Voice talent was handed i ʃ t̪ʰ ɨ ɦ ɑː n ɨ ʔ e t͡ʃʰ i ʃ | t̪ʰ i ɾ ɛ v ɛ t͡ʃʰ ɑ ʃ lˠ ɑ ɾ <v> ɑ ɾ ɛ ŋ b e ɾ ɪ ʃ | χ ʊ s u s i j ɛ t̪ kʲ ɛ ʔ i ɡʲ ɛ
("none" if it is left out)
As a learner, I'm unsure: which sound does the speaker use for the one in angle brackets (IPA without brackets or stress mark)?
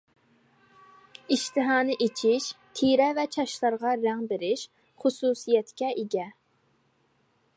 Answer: ʁ